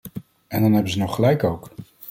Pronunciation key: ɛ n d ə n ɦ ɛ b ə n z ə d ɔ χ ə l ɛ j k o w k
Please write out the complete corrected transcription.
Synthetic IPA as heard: ɛ n d ɑ n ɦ ɛ b ə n z ə n ɔ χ ə l ɛ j k o w k